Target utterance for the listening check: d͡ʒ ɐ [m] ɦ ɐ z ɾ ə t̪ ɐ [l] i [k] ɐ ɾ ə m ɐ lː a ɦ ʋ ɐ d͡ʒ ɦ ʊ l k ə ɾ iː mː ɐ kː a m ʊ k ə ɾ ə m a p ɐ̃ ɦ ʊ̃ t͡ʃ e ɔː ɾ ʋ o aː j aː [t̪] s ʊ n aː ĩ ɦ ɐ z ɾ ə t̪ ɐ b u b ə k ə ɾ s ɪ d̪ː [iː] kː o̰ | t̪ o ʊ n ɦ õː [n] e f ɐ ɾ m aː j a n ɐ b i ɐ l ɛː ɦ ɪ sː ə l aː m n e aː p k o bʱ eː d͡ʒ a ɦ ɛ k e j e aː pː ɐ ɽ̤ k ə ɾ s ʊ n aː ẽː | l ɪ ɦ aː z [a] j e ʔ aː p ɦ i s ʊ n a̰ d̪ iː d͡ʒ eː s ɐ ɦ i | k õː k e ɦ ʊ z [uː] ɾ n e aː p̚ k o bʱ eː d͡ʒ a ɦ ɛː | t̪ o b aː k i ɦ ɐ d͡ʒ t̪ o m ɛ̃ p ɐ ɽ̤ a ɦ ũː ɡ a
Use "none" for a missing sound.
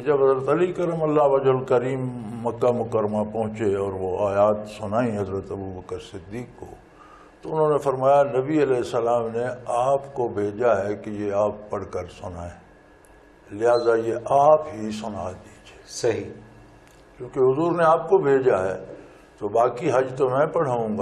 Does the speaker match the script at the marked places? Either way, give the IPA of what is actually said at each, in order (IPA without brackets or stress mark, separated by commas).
b, l, k, t̪, iː, n, a, uː